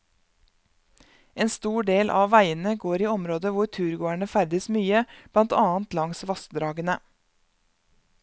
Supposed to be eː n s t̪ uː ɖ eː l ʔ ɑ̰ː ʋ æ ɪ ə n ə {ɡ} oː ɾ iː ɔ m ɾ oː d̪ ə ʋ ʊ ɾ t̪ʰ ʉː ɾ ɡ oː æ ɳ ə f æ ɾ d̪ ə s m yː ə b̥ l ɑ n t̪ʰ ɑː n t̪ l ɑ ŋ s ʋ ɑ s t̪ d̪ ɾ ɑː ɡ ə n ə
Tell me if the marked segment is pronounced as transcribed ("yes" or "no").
yes